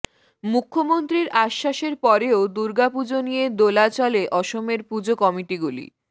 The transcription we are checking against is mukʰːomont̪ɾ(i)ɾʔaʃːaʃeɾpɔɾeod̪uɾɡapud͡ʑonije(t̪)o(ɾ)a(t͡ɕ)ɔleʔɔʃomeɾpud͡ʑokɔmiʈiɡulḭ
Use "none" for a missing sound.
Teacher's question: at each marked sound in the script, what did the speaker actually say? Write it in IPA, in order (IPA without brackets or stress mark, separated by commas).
i, d̪, l, t͡ɕ